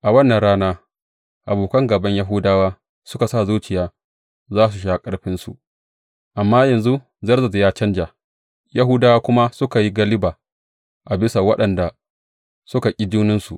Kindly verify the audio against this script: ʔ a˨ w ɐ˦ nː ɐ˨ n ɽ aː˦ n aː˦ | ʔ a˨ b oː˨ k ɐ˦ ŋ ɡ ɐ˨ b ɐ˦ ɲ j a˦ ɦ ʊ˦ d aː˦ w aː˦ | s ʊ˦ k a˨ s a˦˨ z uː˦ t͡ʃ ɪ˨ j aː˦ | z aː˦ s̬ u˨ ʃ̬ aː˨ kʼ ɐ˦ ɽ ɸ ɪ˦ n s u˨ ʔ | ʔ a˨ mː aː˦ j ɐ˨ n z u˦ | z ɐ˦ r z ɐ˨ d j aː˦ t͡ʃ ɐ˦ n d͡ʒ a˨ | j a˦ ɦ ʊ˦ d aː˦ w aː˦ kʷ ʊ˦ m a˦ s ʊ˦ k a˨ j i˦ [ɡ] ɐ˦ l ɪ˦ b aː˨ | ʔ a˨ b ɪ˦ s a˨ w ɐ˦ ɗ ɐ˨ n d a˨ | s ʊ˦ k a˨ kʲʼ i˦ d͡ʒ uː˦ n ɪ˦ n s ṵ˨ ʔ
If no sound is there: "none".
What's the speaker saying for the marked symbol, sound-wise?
ɡ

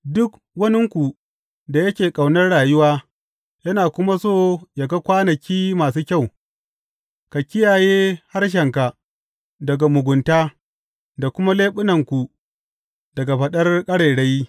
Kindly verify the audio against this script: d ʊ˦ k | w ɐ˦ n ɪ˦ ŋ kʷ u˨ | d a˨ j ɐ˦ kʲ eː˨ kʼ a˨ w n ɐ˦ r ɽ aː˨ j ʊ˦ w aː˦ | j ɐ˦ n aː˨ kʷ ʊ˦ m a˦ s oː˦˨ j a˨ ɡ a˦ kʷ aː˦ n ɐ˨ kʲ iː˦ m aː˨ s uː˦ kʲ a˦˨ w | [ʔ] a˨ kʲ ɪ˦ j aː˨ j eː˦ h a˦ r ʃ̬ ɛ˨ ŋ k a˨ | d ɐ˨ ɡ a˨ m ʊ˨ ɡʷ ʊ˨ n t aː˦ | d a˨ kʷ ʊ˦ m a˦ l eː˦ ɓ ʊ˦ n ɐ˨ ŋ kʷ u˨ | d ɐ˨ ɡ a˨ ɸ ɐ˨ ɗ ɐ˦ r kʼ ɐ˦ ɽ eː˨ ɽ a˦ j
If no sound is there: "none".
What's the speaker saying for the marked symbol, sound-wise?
k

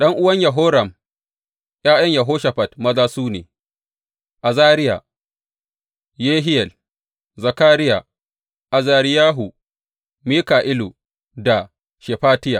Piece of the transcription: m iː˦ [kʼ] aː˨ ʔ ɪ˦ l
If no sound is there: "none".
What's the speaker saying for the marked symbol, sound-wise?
k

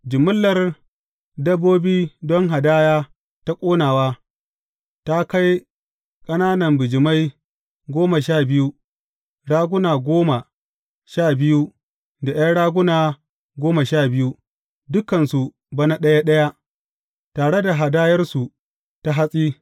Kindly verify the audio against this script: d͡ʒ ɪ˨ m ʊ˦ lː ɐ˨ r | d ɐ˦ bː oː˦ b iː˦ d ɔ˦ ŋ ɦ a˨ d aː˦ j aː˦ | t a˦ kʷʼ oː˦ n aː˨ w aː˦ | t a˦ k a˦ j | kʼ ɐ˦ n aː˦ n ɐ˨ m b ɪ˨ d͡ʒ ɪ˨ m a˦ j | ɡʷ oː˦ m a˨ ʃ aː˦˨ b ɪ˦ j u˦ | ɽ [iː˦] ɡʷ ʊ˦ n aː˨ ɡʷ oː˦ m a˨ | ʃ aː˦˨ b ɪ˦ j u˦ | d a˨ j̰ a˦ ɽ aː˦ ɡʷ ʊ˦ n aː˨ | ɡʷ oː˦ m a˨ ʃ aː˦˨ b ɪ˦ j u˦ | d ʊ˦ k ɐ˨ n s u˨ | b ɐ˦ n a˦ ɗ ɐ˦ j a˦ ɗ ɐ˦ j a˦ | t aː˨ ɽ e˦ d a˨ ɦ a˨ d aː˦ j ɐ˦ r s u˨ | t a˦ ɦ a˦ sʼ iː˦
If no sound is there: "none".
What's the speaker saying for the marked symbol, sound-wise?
aː˦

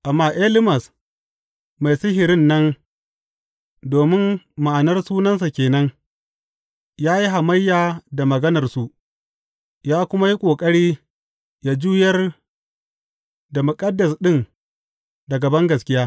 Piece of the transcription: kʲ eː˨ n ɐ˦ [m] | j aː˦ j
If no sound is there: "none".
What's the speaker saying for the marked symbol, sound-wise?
ŋ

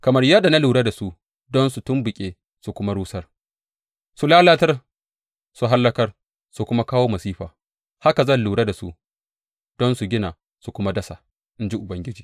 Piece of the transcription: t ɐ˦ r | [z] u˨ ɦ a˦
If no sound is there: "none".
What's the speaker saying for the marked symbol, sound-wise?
s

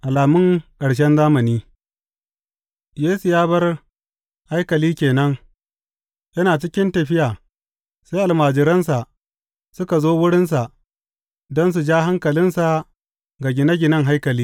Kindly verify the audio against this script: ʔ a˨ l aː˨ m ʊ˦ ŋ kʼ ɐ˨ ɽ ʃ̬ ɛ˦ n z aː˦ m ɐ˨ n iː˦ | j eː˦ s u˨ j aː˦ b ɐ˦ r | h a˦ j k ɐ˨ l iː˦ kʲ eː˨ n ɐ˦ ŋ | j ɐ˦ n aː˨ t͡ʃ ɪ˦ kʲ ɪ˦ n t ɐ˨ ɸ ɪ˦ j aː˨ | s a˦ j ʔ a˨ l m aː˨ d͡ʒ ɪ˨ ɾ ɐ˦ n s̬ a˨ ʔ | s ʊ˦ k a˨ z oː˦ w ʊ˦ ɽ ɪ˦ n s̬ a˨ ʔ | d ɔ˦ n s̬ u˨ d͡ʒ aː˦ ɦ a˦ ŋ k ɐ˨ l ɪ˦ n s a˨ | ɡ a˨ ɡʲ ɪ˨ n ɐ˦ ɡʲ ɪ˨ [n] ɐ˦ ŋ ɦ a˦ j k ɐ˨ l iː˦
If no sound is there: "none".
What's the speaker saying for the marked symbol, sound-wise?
n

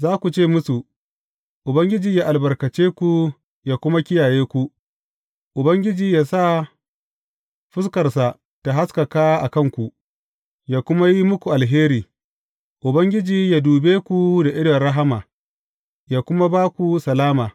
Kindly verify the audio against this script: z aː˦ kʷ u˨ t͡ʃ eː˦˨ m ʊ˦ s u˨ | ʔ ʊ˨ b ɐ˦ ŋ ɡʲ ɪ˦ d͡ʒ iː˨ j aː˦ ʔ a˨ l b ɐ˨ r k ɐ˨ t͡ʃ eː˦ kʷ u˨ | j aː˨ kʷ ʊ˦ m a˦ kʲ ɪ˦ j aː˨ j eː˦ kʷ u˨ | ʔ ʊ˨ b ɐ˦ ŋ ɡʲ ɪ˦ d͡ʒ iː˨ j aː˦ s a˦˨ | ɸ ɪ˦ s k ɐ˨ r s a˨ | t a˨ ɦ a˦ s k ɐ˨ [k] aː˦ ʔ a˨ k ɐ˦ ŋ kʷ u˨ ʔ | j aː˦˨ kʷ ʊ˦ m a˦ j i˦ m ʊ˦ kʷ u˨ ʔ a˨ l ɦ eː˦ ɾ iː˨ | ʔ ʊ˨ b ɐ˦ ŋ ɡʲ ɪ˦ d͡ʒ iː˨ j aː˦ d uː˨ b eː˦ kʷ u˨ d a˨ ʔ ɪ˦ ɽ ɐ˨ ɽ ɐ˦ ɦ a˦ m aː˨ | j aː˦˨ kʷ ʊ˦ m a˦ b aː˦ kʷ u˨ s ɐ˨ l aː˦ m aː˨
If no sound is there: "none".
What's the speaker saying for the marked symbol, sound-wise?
k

